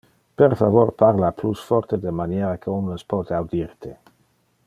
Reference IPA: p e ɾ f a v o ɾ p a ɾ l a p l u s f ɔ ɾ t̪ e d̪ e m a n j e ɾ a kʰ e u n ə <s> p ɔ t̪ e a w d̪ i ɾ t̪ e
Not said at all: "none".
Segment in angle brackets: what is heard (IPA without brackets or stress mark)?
s